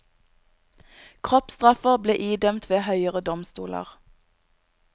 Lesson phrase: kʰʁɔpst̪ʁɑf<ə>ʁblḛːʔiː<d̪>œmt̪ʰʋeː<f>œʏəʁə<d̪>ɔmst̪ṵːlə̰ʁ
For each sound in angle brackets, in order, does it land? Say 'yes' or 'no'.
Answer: yes, yes, no, yes

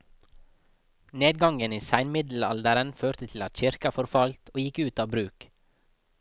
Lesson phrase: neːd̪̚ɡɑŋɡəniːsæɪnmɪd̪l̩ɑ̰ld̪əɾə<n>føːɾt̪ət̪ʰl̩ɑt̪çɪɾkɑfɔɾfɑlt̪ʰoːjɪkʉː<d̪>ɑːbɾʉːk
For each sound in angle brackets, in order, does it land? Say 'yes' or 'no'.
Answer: yes, no

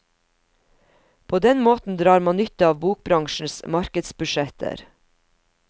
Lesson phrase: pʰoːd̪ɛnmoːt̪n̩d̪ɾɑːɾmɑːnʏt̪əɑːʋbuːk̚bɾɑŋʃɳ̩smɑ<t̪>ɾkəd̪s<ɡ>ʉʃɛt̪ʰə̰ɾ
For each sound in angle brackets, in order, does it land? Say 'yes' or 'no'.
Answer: no, no

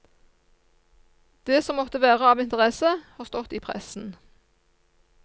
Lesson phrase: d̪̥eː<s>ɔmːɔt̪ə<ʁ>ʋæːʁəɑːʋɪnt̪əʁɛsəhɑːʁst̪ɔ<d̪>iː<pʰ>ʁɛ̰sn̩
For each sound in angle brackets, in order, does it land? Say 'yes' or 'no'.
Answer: yes, no, no, yes

